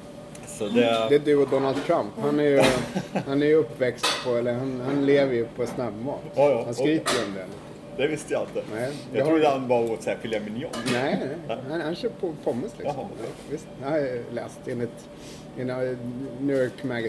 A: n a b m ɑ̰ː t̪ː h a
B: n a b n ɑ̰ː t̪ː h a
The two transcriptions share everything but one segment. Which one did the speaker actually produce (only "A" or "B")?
A